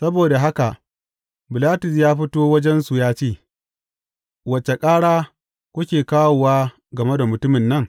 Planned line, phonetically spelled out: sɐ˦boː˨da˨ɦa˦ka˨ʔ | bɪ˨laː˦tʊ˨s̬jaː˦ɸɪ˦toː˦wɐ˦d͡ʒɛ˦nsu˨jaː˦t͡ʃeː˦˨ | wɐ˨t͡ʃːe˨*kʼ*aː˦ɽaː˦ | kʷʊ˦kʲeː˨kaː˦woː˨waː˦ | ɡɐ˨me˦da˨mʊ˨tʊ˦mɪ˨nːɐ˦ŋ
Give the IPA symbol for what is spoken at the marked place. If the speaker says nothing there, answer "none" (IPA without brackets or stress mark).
kʼ